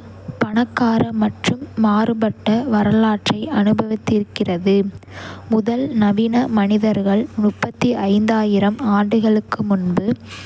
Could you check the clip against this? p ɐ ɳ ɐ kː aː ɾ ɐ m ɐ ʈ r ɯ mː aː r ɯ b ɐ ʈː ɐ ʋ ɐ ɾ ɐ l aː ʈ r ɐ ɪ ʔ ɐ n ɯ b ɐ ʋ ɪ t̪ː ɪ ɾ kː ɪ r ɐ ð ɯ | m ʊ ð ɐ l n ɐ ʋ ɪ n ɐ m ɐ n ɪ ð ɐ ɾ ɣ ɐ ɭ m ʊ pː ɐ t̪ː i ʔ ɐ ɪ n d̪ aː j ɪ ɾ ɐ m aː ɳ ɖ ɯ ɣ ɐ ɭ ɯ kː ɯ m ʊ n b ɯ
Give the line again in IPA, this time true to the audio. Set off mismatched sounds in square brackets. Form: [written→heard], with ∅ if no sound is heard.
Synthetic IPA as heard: p ɐ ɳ ɐ kː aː ɾ ɐ m ɐ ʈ r ɯ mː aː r ɯ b ɐ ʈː ɐ ʋ ɐ ɾ ɐ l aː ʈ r ɐ ɪ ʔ ɐ n ɯ b ɐ ʋ ɪ t̪ː ɪ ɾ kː ɪ r ɐ ð ɯ | m ʊ ð ɐ l n ɐ ʋ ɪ n ɐ m ɐ n ɪ ð ɐ ɾ ɣ ɐ ɭ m ʊ pː ɐ t̪ː i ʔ ɐ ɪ n d̪ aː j ɪ ɾ ɐ m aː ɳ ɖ ɯ ɣ ɐ ɭ ɯ kː ɯ m ʊ n b ɯ